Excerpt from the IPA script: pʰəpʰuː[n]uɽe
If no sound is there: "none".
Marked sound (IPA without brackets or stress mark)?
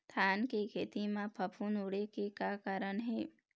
n